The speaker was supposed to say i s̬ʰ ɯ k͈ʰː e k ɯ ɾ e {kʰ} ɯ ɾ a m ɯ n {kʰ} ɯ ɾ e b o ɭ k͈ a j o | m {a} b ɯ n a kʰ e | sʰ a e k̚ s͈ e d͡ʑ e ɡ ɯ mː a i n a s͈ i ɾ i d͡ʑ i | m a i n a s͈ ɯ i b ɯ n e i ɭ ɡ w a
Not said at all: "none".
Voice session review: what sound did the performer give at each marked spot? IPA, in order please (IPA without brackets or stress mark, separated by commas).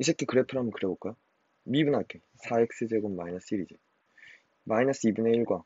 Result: pʰ, k, i